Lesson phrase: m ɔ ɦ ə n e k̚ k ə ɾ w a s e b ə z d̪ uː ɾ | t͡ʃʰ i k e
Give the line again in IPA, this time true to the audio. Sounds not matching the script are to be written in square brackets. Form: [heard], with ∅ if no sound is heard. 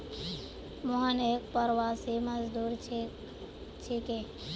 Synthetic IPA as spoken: m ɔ ɦ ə n e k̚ [p] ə ɾ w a s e [m] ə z d̪ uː ɾ | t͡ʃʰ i k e

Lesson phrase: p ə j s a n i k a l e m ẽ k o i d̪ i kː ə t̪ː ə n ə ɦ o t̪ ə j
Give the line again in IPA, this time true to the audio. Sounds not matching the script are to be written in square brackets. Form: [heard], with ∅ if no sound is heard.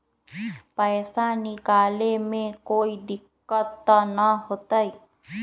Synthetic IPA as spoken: p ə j s a n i k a l e m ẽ k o i d̪ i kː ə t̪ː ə n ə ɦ o t̪ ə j

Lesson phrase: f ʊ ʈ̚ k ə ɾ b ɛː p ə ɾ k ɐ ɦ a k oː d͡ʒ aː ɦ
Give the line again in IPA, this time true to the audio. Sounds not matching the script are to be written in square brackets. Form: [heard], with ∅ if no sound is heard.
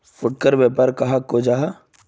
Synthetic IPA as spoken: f ʊ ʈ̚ k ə ɾ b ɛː p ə ɾ k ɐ ɦ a k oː d͡ʒ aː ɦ

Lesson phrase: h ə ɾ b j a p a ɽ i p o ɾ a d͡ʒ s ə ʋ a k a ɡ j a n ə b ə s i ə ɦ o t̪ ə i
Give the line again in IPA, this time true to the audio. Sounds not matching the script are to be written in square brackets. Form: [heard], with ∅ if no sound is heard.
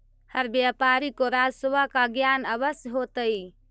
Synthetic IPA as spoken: h ə ɾ b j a p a [ɾ] i [k] o ɾ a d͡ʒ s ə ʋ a k a ɡ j a n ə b ə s [j] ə ɦ o t̪ ə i

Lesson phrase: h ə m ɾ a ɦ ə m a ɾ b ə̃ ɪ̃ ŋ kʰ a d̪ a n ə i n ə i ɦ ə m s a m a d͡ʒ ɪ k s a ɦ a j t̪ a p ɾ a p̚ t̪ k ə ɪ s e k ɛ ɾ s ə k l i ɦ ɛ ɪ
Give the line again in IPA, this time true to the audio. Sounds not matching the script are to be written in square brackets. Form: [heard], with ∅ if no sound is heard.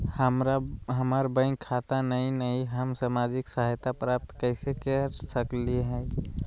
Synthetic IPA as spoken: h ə m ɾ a ɦ ə m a ɾ b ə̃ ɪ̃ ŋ kʰ a [t̪] a n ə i n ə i ɦ ə m s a m a d͡ʒ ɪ k s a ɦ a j t̪ a p ɾ a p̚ t̪ k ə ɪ s e k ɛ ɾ s ə k l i ɦ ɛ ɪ

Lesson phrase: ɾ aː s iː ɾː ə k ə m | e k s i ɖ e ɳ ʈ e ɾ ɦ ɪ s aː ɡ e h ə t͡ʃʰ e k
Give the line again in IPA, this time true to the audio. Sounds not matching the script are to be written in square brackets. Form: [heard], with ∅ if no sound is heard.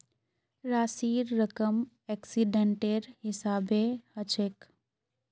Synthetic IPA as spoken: ɾ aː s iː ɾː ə k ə m | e k s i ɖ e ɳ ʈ e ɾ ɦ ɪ s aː [b] e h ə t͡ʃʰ e k

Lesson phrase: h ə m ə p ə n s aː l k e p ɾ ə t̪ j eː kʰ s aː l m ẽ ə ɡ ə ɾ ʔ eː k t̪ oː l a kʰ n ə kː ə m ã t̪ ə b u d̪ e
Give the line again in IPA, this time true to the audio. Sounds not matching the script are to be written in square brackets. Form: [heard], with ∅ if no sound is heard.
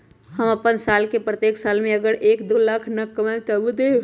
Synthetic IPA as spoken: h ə m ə p ə n s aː l k e p ɾ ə t̪ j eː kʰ s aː l m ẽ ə ɡ ə ɾ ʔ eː k [d̪] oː l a kʰ n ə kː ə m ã t̪ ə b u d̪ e

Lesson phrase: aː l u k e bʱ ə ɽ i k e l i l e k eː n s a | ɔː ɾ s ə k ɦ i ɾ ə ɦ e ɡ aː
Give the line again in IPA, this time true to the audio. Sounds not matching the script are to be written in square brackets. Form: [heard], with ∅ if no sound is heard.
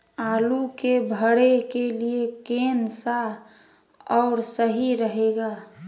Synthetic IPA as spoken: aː l u k e bʱ ə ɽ [e] k e l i [∅] e k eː n s a | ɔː ɾ s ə [∅] ɦ i ɾ ə ɦ e ɡ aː

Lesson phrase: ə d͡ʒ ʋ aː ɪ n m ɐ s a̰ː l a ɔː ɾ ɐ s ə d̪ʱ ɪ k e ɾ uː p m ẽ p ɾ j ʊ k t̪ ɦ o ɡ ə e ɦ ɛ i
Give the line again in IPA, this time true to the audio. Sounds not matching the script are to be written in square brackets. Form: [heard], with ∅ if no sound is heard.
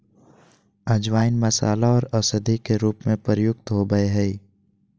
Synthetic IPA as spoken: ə d͡ʒ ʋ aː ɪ n m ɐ s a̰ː l a ɔː ɾ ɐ s ə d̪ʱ [i] k e ɾ uː p m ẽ p ɾ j ʊ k t̪ ɦ o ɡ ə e ɦ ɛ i

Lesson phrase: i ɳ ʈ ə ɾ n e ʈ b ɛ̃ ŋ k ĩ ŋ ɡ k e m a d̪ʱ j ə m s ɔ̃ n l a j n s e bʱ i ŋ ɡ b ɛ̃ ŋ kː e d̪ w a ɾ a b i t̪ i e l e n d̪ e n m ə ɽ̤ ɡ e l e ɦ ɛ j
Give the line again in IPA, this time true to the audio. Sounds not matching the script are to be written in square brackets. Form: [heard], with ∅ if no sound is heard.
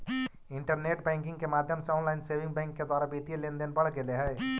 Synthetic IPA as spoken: i ɳ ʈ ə ɾ n e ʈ b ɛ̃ ŋ k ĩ ŋ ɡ k e m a d̪ʱ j ə m s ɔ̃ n l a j n s e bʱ i ŋ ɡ b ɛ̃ ŋ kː e d̪ w a ɾ a b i t̪ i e l e n d̪ e n [b] ə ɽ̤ ɡ e l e ɦ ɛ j

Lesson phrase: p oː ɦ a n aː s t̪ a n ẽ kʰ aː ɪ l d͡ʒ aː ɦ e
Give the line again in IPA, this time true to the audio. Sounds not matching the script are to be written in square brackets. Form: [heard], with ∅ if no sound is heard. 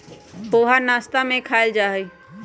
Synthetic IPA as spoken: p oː ɦ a n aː s t̪ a [m] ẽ kʰ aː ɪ l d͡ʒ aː ɦ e

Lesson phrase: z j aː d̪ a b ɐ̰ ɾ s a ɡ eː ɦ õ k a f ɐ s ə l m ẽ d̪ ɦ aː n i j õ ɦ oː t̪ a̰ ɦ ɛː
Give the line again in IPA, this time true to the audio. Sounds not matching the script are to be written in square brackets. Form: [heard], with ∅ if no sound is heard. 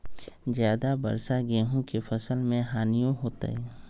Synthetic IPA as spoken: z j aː d̪ a b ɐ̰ ɾ s a ɡ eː ɦ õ k [e] f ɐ s ə l m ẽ [∅] ɦ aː n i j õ ɦ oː t̪ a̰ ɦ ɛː

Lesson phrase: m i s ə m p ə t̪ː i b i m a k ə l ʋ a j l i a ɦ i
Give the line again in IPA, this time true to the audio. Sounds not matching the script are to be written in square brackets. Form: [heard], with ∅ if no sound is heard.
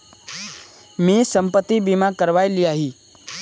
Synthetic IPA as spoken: m i s ə m p ə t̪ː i b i m a k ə [ɾ] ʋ a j l i a ɦ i

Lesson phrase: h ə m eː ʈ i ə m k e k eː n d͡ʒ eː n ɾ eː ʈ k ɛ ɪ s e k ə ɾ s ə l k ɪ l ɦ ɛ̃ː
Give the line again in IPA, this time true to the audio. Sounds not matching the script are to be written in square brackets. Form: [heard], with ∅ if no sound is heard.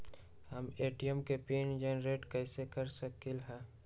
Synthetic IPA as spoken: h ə m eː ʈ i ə m k e [p] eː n d͡ʒ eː n ɾ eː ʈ k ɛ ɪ s e k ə ɾ s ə [∅] k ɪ l ɦ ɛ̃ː

